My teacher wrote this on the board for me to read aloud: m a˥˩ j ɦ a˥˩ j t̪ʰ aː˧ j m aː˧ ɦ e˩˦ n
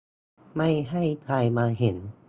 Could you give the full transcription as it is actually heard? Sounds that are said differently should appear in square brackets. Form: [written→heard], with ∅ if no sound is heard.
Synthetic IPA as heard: m a˥˩ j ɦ a˥˩ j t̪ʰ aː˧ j m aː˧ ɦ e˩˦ n